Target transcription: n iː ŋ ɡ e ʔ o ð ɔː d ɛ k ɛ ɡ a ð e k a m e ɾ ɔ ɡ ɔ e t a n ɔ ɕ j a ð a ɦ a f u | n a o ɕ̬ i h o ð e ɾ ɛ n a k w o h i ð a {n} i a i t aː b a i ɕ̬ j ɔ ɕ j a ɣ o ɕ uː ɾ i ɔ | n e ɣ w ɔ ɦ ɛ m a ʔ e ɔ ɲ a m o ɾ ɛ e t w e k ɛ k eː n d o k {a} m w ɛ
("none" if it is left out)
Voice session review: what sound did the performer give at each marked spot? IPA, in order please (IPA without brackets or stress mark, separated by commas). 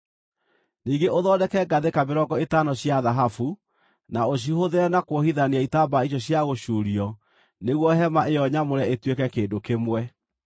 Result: n, e